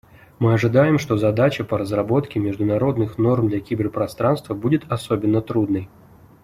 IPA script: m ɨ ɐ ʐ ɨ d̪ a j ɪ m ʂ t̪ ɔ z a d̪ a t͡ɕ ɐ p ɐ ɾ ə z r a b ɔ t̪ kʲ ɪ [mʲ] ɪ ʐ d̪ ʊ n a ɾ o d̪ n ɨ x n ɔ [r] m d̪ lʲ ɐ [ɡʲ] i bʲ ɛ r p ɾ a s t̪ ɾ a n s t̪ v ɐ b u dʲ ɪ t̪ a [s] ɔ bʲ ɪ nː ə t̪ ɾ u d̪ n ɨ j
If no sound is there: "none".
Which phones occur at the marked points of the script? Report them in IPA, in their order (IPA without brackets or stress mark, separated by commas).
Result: mʲ, r, kʲ, s